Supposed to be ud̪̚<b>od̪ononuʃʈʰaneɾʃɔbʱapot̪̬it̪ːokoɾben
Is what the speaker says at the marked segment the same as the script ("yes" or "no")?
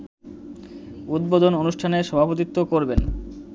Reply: yes